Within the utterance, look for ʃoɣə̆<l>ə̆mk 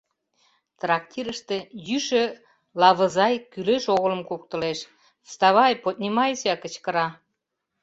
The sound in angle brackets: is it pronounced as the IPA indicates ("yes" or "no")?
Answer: yes